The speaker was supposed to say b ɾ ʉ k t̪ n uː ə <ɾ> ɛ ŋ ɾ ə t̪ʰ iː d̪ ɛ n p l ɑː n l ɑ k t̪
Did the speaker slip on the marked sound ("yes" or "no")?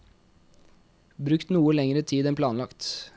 yes